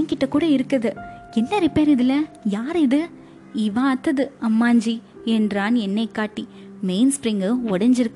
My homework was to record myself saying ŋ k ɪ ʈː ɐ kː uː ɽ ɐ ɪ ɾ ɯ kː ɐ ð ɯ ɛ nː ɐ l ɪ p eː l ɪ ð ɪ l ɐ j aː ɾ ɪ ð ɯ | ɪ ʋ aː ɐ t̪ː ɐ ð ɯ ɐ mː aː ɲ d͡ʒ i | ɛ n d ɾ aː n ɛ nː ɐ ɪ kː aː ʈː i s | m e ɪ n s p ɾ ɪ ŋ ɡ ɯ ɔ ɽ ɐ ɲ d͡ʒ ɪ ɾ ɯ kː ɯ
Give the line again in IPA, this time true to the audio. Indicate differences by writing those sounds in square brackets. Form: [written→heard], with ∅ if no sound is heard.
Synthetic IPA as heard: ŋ k ɪ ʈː ɐ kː uː ɽ ɐ ɪ ɾ ɯ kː ɐ ð ɯ ɛ nː ɐ [l→ɾ] ɪ p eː [l→ɾ] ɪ ð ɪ l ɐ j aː ɾ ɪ ð ɯ | ɪ ʋ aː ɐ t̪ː ɐ ð ɯ ɐ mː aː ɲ d͡ʒ i | ɛ n d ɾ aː n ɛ nː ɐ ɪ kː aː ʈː i [s→∅] | m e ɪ n s p ɾ ɪ ŋ ɡ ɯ ɔ ɽ ɐ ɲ d͡ʒ ɪ ɾ ɯ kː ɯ